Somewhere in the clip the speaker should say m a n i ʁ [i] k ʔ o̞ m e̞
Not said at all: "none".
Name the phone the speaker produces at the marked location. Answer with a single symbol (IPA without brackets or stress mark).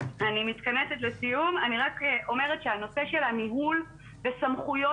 a